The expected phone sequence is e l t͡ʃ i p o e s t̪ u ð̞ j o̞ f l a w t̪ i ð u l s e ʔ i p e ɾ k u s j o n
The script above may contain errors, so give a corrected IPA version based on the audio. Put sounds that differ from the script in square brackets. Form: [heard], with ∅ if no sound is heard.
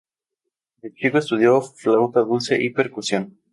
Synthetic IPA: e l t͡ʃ i [k] o e s t̪ u ð̞ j o̞ f l a w t̪ [a] ð u l s e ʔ i p e ɾ k u s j o n